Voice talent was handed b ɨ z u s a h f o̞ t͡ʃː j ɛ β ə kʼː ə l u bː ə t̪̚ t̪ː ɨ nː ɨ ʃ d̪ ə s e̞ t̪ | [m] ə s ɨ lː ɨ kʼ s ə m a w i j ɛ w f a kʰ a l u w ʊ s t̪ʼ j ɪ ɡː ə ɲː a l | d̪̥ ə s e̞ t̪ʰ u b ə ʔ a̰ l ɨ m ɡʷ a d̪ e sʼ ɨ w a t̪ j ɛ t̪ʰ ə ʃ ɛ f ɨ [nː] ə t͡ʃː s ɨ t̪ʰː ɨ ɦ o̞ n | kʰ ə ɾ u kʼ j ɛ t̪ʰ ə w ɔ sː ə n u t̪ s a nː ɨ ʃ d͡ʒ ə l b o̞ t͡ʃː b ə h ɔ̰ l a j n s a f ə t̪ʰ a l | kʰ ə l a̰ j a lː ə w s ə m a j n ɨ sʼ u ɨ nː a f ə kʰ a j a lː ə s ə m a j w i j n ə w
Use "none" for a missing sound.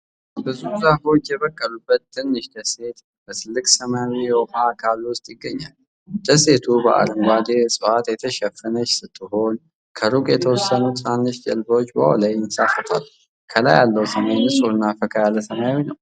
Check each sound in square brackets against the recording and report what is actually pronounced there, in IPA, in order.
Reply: b, n

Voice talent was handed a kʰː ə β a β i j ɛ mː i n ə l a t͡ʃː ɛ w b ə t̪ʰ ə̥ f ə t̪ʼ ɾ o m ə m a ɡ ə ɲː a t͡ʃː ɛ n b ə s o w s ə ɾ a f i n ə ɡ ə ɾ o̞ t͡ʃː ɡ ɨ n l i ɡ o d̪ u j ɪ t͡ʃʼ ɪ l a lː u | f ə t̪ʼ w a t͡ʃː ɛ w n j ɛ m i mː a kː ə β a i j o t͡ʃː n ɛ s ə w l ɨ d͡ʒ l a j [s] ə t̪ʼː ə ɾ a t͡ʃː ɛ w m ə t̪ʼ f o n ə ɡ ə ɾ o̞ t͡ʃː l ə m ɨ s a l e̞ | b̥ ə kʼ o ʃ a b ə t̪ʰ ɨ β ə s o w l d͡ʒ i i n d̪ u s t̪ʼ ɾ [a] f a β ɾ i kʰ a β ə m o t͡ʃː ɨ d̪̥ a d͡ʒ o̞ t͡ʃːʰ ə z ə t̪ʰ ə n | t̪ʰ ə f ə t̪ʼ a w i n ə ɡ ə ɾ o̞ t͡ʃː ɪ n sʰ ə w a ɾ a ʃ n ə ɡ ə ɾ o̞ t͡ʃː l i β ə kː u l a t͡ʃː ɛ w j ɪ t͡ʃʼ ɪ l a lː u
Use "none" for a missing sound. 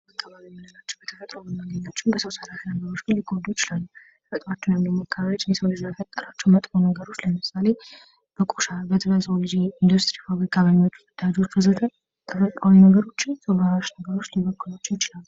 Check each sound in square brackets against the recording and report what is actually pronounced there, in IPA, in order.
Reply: f, i

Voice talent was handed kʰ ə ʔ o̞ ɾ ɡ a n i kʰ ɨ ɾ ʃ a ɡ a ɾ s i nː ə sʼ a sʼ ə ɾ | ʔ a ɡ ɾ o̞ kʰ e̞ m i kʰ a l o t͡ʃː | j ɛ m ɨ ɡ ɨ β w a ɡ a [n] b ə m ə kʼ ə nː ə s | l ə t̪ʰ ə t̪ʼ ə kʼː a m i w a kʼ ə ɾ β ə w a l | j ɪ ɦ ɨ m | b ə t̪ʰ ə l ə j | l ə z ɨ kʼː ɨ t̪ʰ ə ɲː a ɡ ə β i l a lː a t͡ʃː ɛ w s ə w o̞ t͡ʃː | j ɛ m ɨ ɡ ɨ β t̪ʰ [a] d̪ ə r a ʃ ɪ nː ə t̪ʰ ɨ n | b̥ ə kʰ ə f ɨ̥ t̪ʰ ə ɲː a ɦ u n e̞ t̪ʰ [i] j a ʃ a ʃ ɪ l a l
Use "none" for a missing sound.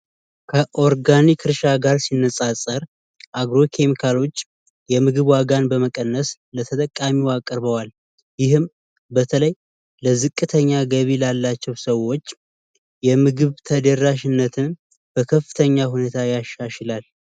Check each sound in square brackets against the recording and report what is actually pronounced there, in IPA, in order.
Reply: n, ə, a

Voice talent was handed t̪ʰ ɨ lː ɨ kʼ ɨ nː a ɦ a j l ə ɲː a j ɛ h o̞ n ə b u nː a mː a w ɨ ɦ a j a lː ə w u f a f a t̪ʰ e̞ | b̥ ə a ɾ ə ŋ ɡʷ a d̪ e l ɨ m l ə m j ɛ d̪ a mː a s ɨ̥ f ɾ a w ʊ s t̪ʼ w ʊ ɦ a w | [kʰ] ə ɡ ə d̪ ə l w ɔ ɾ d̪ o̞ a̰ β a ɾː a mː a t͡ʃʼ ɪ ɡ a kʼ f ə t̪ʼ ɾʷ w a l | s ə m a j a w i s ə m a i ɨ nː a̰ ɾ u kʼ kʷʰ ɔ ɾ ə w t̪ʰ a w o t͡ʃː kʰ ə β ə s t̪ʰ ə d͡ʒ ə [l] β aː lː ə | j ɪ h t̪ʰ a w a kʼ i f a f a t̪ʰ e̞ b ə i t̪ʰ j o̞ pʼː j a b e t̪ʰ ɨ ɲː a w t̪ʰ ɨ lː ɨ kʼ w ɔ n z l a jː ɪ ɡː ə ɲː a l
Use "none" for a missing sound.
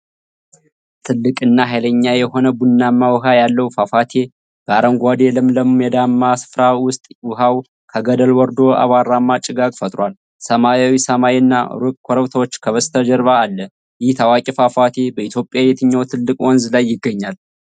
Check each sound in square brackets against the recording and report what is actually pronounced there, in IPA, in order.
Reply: kʰ, ɾ

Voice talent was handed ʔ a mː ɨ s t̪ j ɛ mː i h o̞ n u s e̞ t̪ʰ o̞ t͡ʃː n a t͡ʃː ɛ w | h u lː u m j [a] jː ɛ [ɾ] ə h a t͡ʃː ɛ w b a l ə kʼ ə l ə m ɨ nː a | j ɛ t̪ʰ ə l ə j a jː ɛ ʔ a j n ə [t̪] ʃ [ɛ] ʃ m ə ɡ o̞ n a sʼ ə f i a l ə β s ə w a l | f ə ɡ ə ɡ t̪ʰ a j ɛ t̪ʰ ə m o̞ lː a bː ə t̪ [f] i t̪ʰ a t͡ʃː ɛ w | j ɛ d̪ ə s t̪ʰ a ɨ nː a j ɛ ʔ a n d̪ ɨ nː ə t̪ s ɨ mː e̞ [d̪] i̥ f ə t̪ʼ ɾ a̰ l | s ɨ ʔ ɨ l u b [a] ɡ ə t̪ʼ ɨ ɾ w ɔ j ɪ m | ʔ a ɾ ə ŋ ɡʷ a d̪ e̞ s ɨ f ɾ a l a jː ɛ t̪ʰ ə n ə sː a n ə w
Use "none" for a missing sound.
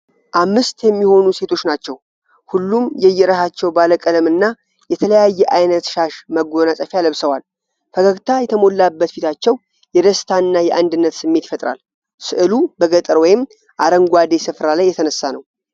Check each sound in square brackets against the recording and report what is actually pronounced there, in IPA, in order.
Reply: ɛ, ɾ, t̪, a, f, t̪, ə

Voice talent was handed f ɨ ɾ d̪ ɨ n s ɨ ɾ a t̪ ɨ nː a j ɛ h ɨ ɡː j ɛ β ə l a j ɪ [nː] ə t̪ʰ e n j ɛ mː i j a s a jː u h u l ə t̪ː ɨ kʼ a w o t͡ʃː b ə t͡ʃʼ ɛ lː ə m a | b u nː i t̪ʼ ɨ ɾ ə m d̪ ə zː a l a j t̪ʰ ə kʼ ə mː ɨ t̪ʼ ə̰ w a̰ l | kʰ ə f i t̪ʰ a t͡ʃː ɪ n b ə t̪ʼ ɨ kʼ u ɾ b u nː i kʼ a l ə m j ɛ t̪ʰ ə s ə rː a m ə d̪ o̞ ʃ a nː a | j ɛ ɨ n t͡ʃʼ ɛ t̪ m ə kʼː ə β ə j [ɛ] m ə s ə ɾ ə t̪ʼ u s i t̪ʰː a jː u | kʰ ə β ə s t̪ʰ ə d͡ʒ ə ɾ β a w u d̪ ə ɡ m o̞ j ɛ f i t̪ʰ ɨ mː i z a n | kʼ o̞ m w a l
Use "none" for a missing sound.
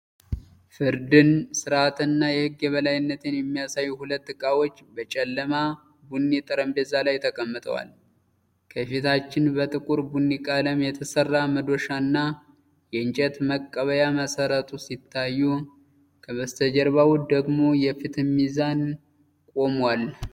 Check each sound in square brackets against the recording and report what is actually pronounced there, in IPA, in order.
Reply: nː, a

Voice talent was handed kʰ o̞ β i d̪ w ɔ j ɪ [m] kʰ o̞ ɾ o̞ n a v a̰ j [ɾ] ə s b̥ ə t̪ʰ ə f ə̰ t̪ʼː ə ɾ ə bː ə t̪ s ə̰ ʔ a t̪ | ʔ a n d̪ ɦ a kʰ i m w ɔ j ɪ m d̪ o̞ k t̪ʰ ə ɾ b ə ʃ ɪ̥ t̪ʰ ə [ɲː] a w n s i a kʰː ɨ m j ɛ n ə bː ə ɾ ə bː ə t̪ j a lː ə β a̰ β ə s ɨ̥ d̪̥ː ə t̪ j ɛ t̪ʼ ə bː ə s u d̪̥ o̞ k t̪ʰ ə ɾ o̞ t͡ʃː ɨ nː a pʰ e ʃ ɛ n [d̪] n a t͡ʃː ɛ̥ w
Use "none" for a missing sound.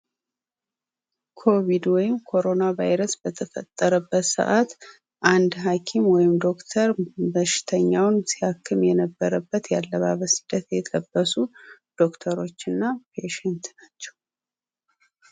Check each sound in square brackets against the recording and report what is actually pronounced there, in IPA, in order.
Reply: m, ɾ, ɲː, t̪

